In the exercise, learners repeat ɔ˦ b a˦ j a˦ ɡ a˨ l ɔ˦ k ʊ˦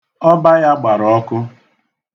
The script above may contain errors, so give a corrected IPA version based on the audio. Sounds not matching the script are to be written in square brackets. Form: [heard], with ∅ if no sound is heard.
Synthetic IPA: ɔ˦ b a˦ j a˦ [ɡ͡b] a˨ [ɾ] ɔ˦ k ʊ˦